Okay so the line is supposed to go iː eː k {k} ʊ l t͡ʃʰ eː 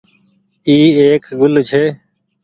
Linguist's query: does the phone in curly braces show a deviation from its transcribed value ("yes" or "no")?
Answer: yes